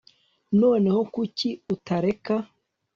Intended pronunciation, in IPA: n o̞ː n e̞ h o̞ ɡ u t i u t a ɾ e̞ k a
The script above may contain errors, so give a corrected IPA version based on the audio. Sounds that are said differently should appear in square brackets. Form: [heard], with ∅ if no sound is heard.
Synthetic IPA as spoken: n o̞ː n e̞ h o̞ [k] u [c] i u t a ɾ e̞ k a